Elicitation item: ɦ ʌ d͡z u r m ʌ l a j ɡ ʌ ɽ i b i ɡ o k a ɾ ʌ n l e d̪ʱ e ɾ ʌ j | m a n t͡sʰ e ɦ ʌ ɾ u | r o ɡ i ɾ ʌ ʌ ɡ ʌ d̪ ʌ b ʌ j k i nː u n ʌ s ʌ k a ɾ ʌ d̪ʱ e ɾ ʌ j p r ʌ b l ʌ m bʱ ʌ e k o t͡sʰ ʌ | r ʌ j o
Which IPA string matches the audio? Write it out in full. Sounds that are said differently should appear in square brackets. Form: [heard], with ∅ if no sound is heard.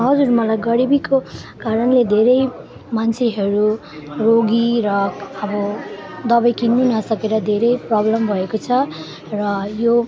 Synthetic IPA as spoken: ɦ ʌ d͡z u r m ʌ l a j ɡ ʌ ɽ i b i [k] o k a ɾ ʌ n l e d̪ʱ e ɾ ʌ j | m a n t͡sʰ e ɦ ʌ ɾ u | r o ɡ i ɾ ʌ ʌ [b] ʌ d̪ ʌ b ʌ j k i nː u n ʌ s ʌ k [e] ɾ ʌ d̪ʱ e ɾ ʌ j p r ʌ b l ʌ m bʱ ʌ e k o t͡sʰ ʌ | r ʌ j o